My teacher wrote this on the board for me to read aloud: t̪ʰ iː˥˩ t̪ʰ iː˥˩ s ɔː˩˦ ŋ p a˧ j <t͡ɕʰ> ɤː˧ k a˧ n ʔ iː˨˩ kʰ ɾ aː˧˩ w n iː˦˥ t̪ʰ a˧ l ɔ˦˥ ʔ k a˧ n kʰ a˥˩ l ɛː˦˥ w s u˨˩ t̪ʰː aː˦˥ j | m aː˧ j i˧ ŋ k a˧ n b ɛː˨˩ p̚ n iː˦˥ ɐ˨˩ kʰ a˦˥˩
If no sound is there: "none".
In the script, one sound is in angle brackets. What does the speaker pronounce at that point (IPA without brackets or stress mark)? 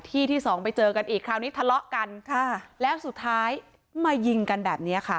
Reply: t͡ɕ